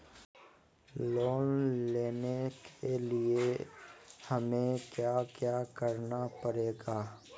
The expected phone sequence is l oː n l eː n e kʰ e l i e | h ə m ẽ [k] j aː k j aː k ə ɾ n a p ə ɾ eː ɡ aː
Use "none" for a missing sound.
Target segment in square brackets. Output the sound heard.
k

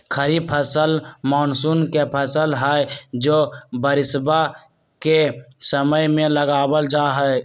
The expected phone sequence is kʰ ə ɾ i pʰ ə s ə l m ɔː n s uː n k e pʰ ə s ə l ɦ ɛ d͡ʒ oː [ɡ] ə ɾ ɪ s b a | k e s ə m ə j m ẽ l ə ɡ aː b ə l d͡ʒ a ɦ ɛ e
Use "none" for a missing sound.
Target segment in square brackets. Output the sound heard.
b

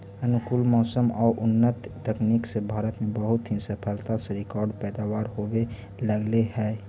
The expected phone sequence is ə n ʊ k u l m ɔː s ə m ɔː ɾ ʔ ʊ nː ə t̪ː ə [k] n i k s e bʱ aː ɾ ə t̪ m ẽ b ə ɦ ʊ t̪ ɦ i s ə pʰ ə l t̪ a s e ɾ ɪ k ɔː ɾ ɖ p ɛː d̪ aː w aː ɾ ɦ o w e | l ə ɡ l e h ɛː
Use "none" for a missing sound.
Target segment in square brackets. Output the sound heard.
k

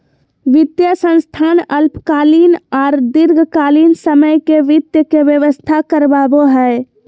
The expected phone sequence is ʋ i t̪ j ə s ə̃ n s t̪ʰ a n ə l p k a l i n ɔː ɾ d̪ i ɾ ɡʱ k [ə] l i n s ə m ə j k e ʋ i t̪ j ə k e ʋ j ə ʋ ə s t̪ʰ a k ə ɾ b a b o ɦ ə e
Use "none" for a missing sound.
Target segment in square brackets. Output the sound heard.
a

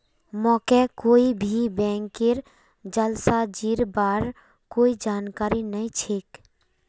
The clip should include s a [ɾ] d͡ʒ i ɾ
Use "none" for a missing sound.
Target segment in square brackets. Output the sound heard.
none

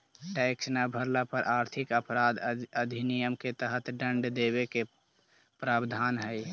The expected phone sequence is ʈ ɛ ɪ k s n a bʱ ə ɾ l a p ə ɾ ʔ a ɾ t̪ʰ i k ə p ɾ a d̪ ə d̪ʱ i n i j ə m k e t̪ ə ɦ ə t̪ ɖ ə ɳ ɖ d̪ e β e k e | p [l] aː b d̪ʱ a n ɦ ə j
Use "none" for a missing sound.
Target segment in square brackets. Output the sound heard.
ɾ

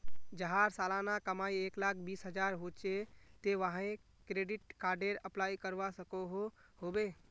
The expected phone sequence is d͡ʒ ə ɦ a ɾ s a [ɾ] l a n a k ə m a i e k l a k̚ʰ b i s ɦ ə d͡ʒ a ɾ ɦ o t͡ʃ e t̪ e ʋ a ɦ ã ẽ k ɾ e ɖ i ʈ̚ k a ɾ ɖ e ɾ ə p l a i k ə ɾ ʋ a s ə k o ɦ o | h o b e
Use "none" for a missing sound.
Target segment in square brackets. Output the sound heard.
none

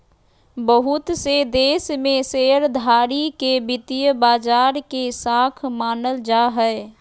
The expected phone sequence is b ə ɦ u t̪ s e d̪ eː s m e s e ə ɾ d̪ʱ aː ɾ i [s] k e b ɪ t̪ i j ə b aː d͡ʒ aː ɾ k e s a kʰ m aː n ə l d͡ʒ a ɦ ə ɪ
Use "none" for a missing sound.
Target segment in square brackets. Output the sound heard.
none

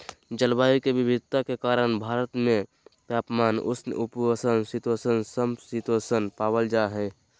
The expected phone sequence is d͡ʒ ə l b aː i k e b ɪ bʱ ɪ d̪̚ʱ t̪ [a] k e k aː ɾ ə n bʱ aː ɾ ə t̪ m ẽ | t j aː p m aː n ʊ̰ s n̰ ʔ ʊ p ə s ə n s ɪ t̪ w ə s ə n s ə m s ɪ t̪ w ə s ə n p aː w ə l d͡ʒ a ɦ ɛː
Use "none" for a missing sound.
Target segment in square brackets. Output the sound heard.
a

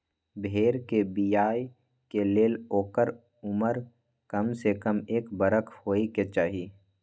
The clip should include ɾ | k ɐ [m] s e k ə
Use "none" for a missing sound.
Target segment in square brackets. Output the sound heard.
m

